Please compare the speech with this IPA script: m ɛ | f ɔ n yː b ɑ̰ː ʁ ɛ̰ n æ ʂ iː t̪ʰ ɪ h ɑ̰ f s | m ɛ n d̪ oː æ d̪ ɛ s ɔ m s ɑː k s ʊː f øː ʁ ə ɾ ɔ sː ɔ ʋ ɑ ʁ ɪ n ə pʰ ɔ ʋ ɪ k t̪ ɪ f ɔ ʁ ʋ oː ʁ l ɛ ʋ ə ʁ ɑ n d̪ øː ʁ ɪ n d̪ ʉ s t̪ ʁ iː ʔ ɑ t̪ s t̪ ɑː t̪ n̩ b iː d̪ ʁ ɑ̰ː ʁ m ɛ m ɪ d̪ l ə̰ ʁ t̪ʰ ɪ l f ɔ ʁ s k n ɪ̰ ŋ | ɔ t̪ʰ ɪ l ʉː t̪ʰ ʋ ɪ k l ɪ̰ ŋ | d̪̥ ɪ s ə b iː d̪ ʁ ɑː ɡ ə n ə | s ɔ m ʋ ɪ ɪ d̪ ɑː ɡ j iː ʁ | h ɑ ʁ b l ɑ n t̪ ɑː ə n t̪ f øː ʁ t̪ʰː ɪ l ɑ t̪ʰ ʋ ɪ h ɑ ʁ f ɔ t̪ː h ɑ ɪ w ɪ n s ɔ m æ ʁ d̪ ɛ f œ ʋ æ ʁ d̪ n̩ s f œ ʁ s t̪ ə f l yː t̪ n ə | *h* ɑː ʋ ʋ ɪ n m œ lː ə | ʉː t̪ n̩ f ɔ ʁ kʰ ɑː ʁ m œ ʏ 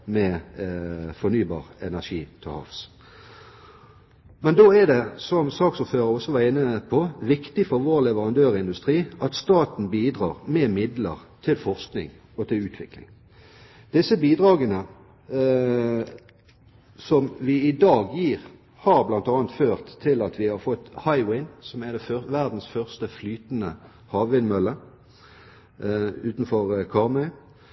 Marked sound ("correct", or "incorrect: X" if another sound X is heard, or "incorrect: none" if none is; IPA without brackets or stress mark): correct